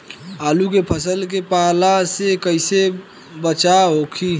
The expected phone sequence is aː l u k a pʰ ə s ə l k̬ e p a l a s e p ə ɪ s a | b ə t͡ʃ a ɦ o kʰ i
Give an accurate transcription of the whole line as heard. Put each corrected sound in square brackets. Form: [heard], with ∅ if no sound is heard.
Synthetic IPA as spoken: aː l u k [e] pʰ ə s ə l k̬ e p a l a s e [k] ə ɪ s [e] | b ə t͡ʃ a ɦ o kʰ i